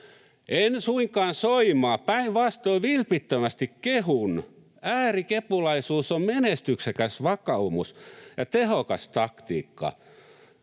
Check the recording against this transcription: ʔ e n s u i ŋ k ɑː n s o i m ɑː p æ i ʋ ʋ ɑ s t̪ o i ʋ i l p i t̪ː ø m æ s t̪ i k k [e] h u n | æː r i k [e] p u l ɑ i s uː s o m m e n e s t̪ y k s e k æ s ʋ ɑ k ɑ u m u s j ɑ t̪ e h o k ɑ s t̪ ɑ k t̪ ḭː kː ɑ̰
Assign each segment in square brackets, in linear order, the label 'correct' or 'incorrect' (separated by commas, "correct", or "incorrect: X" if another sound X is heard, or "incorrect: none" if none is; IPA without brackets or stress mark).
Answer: correct, correct